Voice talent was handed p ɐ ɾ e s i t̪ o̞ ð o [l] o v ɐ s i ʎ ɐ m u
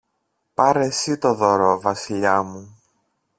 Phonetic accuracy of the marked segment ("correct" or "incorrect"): incorrect